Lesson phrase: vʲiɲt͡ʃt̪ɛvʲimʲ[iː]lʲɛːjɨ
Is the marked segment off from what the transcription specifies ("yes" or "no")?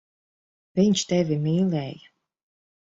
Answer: no